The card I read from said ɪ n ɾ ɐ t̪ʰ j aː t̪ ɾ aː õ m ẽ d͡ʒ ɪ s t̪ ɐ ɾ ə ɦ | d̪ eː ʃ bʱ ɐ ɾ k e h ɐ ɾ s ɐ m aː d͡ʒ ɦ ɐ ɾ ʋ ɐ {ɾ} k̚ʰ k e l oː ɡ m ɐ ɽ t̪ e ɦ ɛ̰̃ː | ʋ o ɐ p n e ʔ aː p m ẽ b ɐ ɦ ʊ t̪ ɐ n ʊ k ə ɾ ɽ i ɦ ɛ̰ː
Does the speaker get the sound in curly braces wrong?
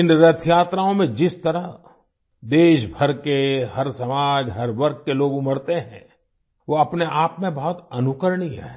no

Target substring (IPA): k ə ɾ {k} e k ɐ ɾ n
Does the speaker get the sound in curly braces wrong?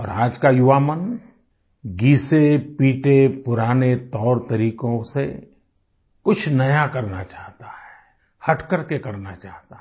no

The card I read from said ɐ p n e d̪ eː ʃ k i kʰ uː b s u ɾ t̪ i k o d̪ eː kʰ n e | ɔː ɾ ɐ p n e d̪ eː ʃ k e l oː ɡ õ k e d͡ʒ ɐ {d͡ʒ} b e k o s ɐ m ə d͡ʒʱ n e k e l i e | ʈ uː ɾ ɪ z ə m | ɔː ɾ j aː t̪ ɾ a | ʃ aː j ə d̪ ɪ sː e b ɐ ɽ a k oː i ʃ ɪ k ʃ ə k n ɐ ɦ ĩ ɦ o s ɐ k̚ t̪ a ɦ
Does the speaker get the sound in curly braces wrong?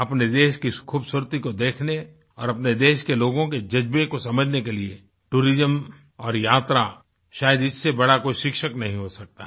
no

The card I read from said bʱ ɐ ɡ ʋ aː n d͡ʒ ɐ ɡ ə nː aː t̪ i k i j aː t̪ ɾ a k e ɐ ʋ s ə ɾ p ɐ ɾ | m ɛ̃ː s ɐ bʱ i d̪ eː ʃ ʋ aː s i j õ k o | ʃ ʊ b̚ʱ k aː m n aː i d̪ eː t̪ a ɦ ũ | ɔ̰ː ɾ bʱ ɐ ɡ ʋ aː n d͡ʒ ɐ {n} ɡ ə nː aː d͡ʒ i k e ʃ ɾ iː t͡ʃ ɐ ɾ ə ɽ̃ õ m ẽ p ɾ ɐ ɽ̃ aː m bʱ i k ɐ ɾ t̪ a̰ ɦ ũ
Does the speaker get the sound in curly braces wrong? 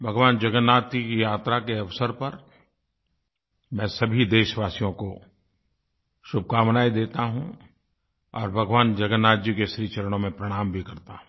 yes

